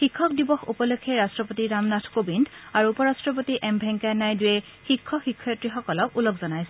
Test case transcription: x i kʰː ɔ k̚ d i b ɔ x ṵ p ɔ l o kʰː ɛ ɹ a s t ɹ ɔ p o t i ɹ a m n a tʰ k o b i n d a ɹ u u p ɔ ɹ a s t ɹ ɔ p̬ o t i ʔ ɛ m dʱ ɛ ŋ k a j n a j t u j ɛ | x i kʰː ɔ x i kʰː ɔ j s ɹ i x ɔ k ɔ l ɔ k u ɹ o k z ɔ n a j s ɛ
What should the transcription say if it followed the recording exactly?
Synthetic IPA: x i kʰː ɔ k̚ d i b ɔ x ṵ p ɔ l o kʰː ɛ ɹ a s t ɹ ɔ p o t i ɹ a m n a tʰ k o b i n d a ɹ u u p ɔ ɹ a s t ɹ ɔ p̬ o t i ʔ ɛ m bʱ ɛ ŋ k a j n a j d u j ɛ | x i kʰː ɔ x i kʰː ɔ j t ɹ i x ɔ k ɔ l ɔ k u l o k z ɔ n a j s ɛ